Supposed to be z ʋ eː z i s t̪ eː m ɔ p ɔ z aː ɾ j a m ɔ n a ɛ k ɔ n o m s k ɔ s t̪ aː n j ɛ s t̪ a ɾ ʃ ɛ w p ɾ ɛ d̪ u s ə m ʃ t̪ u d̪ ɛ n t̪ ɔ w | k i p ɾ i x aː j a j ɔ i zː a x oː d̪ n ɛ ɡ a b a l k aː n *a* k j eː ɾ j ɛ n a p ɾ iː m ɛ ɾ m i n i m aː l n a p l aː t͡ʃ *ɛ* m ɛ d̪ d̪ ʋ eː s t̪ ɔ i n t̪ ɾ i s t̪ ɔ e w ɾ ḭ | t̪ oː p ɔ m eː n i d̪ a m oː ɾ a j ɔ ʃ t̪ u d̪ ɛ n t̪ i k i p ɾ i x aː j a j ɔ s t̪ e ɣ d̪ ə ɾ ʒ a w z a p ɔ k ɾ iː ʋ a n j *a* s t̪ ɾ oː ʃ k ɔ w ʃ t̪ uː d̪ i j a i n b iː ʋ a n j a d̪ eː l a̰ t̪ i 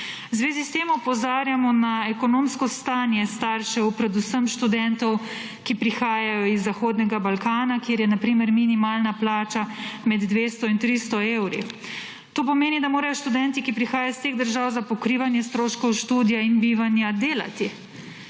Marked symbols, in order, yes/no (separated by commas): yes, no, no